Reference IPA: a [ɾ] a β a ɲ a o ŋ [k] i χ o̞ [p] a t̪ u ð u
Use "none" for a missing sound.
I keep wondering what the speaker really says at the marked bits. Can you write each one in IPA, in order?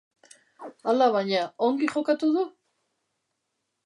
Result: l, ɡ, k

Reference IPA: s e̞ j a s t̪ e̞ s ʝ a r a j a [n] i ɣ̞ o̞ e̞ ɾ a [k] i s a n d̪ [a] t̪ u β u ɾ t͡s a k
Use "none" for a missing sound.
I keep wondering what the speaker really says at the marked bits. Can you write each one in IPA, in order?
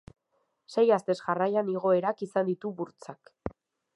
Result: n, k, i

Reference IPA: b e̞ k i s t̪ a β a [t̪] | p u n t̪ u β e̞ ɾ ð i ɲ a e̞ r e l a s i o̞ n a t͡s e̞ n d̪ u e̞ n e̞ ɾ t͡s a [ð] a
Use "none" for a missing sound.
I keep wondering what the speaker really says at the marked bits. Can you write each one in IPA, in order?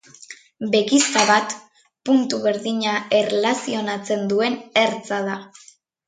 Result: t̪, ð

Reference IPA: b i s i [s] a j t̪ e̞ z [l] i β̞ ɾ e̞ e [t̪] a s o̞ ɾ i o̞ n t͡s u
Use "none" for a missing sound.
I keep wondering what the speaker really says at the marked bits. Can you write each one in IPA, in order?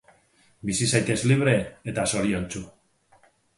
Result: s, l, t̪

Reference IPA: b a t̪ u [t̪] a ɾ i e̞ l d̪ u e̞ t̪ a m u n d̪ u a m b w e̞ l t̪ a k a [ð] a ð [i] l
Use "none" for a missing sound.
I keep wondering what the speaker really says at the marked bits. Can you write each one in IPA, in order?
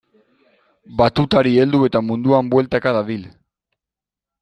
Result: t̪, ð, i

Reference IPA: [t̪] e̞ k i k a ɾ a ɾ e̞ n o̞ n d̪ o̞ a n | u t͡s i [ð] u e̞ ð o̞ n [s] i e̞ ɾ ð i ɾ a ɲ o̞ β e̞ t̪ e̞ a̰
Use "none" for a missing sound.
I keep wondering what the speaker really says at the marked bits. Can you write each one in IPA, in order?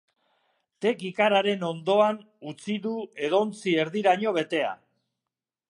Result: t̪, ð, t͡s

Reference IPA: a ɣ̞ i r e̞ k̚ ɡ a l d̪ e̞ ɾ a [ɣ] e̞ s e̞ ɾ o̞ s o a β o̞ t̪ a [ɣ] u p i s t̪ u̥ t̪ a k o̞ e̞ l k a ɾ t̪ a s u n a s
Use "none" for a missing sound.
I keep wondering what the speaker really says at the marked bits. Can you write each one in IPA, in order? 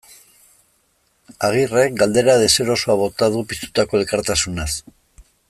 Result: ð, ð

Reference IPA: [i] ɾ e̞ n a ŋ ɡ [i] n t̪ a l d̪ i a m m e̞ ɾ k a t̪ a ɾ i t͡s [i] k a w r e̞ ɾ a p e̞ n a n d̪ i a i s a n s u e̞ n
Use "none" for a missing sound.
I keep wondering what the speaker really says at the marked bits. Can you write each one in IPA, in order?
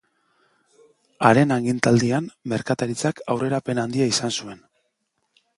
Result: a, i, a

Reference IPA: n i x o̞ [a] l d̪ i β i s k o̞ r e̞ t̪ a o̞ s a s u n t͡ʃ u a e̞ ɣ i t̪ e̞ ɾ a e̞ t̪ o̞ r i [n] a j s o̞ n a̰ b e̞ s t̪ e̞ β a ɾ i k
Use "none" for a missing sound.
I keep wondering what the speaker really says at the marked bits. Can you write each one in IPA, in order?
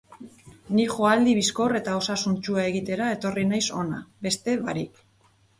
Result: a, n

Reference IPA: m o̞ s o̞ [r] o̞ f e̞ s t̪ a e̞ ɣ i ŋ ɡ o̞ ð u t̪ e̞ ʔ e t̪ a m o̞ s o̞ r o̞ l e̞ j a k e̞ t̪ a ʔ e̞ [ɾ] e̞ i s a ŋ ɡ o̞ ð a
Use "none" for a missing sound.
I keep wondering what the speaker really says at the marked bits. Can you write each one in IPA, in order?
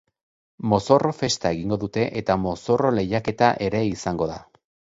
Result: r, ɾ

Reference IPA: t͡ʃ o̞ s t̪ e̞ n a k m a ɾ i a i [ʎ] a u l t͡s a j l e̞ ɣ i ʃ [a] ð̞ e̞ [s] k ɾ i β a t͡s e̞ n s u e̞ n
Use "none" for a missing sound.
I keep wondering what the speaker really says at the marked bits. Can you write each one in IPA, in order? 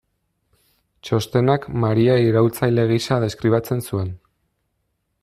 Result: ɾ, a, s

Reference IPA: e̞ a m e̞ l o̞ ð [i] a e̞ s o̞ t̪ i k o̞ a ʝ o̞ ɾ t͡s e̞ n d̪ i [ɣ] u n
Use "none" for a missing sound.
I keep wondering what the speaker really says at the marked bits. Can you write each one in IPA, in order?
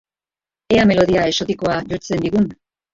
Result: i, ɣ

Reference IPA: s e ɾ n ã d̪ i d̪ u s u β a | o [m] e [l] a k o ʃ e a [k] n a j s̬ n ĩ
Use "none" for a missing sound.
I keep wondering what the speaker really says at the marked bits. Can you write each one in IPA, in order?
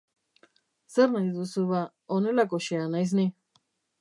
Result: n, l, none

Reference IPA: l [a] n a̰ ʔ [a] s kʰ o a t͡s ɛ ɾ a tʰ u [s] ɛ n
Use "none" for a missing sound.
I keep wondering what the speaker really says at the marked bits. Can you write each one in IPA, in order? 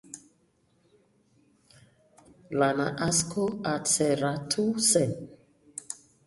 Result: a, a, s

